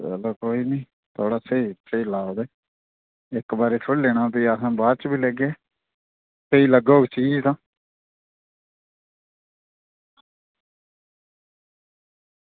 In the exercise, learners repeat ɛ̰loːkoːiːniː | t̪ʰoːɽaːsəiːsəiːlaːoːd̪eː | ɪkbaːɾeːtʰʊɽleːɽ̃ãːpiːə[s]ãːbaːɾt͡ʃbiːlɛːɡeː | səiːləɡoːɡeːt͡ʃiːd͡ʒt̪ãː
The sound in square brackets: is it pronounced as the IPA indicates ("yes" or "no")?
yes